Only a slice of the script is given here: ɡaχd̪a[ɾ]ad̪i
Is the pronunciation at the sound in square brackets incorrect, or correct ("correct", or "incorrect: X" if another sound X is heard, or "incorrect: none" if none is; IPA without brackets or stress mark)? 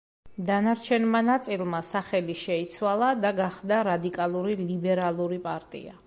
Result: correct